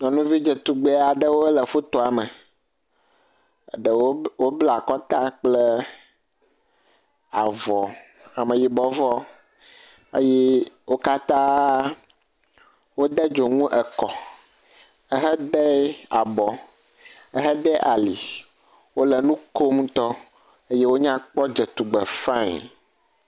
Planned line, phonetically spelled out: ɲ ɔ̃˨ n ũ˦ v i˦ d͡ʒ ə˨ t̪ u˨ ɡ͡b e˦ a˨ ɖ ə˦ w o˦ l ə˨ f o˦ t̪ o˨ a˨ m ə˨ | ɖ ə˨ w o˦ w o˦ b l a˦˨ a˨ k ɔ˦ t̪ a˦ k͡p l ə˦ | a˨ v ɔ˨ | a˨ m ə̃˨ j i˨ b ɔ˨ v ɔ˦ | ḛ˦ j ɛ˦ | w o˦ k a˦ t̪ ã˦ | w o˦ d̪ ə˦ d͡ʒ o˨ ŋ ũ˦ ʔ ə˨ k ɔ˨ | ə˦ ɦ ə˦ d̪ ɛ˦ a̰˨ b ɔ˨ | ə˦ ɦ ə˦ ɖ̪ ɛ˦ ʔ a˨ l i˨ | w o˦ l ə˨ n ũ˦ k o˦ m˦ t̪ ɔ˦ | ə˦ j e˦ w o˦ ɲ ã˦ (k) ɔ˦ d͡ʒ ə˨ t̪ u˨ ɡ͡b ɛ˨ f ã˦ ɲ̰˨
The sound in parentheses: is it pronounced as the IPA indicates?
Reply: no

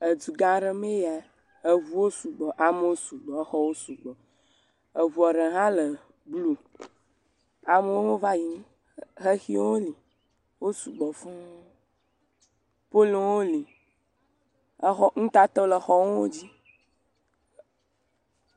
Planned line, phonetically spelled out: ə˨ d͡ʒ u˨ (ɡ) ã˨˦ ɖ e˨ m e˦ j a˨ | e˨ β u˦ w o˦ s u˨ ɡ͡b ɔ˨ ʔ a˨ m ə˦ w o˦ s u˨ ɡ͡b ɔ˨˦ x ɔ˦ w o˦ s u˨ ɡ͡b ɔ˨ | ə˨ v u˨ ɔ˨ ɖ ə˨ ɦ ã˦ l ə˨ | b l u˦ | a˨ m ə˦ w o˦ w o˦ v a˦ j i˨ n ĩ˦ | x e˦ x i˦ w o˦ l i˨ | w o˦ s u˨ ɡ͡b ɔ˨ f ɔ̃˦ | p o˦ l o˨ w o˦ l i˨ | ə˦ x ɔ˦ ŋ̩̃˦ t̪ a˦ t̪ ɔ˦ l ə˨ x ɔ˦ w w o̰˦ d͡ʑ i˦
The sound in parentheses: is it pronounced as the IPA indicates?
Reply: yes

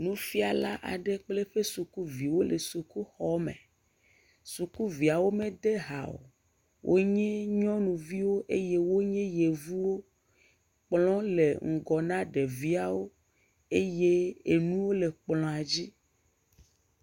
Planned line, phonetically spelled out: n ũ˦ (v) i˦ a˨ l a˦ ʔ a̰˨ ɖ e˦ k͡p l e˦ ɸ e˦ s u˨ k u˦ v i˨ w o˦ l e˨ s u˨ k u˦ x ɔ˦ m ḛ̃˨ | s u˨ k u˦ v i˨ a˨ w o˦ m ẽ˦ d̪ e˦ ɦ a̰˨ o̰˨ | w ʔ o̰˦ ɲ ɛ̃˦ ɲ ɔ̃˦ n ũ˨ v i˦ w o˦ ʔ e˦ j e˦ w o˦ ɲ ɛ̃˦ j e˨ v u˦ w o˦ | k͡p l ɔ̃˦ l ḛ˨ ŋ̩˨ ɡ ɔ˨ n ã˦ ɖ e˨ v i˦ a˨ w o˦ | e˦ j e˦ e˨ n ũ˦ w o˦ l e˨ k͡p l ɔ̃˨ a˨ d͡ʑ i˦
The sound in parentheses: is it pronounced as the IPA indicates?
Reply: no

